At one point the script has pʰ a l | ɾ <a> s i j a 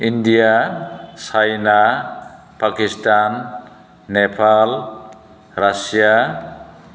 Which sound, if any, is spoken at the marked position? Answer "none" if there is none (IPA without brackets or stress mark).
a